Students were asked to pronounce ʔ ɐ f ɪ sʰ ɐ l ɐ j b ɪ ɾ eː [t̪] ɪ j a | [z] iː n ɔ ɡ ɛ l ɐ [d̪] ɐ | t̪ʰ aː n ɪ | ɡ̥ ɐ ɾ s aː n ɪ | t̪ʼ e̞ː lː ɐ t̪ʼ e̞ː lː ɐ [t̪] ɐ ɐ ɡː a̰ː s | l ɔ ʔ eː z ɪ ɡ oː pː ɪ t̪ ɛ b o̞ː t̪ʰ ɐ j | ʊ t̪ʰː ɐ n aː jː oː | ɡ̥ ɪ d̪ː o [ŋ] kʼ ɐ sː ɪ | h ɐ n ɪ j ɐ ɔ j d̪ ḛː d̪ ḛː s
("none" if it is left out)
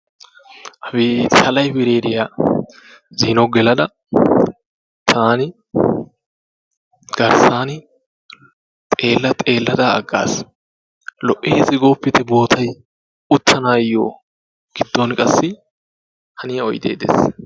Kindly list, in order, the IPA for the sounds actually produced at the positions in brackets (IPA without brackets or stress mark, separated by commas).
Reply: d̪, z, d̪, d̪, n